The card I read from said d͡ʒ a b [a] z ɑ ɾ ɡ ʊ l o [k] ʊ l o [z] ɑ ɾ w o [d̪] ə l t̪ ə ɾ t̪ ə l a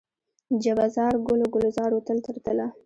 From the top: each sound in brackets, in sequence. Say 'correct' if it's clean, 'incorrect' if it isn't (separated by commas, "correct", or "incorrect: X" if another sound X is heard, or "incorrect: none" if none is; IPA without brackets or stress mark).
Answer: correct, incorrect: ɡ, correct, incorrect: t̪